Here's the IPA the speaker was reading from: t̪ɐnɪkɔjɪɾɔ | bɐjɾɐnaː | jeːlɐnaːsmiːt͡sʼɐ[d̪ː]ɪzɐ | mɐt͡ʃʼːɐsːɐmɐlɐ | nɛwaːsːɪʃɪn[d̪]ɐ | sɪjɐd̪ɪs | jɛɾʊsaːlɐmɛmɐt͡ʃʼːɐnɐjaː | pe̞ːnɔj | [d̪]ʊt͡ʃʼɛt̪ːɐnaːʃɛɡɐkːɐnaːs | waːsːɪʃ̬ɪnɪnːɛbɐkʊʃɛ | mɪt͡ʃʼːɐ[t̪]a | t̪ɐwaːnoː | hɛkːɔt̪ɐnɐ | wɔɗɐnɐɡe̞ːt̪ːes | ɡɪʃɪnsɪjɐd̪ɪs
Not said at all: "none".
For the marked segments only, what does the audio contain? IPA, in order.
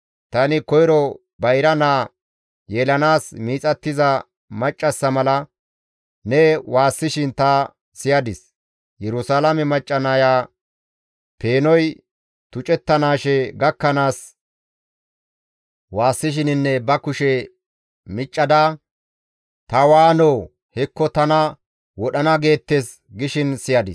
t̪ː, t̪, t̪, d̪

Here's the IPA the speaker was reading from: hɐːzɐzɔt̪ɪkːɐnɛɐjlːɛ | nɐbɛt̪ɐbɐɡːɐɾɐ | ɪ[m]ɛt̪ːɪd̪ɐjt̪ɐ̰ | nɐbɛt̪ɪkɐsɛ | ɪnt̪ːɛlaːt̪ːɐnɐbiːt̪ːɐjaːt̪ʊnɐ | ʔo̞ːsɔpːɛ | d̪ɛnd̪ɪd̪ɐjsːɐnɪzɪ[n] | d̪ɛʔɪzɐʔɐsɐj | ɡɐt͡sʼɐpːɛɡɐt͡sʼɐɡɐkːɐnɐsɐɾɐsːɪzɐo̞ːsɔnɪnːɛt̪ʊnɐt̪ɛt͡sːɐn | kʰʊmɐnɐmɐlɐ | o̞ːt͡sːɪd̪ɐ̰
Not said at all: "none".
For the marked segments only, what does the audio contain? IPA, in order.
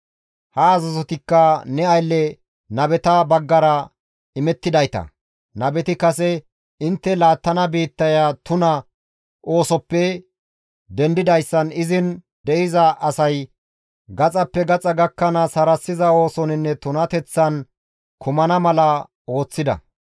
m, n

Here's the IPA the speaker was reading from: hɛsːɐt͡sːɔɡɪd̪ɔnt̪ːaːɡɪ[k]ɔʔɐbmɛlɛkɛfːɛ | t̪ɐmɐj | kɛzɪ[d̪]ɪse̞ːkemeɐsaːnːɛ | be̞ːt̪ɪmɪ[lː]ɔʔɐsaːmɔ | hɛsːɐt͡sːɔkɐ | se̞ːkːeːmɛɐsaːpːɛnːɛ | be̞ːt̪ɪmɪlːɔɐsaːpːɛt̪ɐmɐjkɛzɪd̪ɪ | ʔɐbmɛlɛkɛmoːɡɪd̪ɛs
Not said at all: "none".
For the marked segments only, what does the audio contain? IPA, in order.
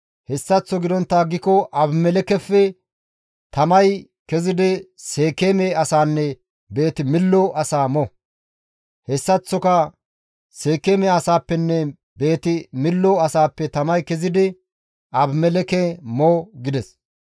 k, d̪, lː

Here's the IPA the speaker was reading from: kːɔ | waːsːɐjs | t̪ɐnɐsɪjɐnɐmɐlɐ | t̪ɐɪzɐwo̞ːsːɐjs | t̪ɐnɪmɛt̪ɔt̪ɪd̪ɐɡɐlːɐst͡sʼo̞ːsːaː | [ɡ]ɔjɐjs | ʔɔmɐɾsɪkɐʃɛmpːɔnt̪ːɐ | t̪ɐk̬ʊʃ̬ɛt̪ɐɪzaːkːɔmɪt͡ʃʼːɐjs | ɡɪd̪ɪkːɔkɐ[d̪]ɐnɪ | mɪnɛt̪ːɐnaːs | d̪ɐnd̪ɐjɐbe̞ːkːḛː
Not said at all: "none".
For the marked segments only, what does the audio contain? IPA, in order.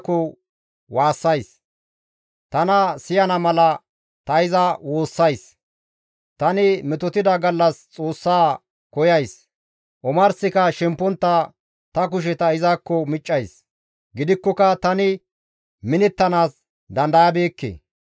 k, t̪

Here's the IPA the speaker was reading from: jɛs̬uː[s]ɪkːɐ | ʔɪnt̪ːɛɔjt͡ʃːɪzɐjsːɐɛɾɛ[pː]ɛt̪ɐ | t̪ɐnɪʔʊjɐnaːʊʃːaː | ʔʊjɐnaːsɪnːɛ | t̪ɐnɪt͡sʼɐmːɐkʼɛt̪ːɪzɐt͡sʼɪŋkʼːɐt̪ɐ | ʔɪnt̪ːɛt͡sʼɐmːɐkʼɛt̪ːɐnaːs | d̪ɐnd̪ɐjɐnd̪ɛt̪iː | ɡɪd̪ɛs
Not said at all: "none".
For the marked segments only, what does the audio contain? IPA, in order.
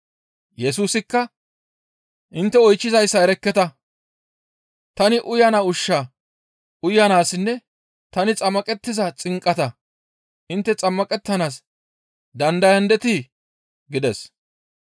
s, kː

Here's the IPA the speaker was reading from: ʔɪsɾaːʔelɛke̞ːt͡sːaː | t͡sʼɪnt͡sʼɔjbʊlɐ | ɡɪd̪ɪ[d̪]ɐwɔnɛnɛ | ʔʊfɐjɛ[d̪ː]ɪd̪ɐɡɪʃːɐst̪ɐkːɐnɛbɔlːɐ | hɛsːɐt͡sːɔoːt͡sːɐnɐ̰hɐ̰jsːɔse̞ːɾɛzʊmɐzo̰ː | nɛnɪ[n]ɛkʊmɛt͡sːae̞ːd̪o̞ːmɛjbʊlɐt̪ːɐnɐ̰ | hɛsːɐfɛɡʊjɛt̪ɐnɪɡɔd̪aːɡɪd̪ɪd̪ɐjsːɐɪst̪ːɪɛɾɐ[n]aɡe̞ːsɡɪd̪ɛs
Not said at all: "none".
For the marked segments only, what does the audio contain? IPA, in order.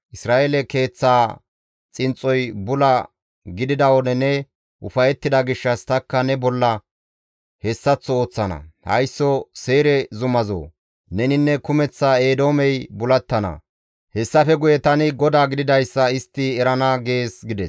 d̪, t̪ː, nː, n

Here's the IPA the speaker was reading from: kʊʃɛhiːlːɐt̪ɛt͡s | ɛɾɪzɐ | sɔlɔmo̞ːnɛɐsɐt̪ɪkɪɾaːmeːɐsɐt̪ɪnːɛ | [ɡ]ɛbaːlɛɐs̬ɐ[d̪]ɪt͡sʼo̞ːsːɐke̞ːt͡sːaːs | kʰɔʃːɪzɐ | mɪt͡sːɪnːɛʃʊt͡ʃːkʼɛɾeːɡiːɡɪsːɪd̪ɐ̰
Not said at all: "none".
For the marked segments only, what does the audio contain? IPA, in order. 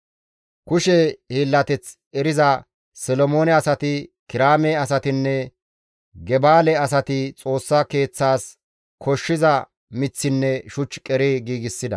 ɡ, t̪

